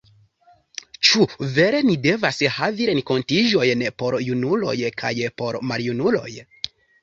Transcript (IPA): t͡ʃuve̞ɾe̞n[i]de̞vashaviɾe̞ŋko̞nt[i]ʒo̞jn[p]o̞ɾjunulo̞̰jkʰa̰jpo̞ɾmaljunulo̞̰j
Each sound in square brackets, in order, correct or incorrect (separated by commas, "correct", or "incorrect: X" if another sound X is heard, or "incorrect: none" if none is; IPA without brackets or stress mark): correct, correct, correct